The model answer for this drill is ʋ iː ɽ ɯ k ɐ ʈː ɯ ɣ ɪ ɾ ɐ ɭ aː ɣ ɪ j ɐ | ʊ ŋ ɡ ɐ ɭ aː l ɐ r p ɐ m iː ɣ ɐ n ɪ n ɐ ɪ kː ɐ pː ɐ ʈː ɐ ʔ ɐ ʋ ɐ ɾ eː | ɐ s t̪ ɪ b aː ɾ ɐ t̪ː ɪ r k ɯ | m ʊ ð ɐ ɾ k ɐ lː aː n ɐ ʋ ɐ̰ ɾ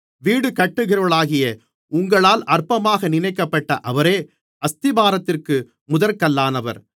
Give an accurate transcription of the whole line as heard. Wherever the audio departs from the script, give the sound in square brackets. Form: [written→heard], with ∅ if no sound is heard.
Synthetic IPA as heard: ʋ iː ɽ ɯ k ɐ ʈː ɯ ɣ ɪ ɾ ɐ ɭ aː ɣ ɪ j ɐ | ʊ ŋ ɡ ɐ ɭ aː l ɐ r p ɐ m [iː→aː] ɣ ɐ n ɪ n ɐ ɪ kː ɐ pː ɐ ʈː ɐ ʔ ɐ ʋ ɐ ɾ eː | ɐ s t̪ ɪ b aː ɾ ɐ t̪ː ɪ r k ɯ | m ʊ ð ɐ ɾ k ɐ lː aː n ɐ ʋ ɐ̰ ɾ